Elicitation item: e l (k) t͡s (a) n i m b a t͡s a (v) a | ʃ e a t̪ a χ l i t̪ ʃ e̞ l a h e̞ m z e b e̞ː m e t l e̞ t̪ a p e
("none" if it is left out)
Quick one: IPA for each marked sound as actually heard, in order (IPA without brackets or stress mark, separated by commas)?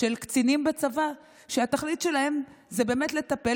k, i, v